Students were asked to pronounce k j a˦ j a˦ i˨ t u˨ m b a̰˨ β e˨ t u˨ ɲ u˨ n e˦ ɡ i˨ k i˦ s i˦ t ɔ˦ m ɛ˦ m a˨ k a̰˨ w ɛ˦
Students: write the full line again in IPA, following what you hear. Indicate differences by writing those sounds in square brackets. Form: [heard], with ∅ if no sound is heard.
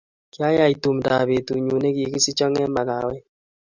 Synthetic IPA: k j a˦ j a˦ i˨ t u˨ m [d] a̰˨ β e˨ t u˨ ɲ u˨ n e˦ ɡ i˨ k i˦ s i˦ [t͡ʃ] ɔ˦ [ŋ] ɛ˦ m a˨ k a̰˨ w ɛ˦